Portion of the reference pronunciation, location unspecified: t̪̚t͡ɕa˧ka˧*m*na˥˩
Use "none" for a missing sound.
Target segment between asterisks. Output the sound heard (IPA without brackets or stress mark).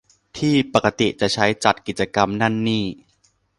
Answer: m